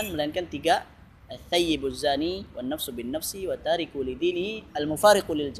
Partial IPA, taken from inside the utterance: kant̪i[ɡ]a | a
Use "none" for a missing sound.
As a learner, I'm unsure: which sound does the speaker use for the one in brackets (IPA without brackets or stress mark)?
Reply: ɡ